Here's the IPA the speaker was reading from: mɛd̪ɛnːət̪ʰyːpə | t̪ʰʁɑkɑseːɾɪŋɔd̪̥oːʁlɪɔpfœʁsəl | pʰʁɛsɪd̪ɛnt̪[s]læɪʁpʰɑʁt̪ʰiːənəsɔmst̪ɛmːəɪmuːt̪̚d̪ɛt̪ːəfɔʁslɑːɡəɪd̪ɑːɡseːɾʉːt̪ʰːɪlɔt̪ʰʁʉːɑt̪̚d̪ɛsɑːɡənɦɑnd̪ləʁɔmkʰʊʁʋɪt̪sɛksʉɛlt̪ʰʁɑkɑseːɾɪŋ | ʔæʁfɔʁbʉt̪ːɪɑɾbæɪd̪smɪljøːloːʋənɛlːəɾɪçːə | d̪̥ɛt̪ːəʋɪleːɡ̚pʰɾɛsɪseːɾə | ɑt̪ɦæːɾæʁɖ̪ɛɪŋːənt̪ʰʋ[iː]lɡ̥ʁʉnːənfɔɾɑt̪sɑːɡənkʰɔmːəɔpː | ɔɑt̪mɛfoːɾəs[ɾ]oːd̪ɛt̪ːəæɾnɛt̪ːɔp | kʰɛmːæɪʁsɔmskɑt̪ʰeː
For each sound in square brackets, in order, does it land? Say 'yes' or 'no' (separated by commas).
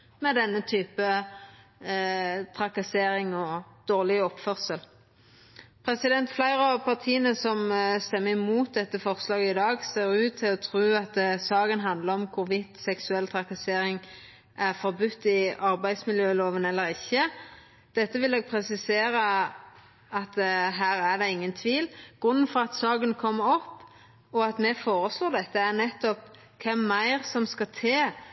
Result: no, yes, no